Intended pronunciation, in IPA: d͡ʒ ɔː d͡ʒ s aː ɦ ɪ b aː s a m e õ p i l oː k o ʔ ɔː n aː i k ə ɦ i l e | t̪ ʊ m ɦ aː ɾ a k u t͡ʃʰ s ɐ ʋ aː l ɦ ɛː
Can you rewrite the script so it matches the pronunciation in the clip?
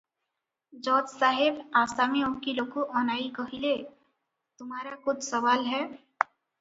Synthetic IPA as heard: d͡ʒ ɔː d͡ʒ s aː ɦ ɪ b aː s a m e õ k i l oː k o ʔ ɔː n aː i k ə ɦ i l e | t̪ ʊ m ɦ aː ɾ a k ʊ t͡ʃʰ s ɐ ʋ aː l ɦ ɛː